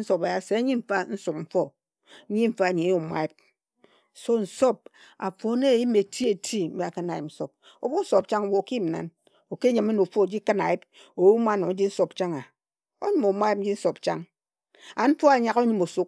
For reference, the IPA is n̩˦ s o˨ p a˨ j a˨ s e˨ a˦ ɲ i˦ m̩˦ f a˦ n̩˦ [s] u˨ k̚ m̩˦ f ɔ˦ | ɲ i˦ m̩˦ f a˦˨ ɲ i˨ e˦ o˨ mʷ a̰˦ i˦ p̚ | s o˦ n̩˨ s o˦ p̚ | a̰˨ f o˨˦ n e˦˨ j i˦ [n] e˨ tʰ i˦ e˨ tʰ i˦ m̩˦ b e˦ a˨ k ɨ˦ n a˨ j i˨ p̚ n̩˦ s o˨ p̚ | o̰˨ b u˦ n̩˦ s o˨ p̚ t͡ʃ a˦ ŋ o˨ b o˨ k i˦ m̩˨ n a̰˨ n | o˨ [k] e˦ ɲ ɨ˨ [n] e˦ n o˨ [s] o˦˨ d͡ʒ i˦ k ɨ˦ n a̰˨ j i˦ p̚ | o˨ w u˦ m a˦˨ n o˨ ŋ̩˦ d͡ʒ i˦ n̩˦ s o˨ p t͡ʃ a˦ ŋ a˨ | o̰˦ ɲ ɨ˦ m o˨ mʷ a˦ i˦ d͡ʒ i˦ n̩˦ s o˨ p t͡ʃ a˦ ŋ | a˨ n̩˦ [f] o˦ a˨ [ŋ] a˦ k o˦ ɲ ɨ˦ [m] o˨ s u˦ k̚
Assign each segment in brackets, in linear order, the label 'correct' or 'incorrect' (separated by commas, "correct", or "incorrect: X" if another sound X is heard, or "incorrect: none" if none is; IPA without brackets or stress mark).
correct, incorrect: m, correct, incorrect: m, incorrect: f, correct, incorrect: ɲ, correct